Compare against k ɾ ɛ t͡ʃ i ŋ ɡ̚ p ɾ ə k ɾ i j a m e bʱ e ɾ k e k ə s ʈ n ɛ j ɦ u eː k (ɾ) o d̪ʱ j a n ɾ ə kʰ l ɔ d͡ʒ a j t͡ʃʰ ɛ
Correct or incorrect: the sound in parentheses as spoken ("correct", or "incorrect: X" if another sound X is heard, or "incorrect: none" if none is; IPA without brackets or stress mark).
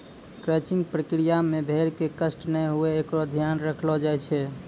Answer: correct